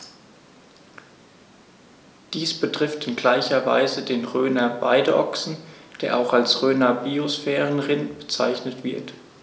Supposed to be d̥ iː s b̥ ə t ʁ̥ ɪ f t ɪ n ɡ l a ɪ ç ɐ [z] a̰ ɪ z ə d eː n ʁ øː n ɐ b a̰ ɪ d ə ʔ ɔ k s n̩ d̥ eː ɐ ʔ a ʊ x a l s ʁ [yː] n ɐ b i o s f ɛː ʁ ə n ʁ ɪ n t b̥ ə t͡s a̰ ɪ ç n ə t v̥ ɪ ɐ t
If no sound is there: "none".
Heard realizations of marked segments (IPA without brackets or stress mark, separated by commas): v, øː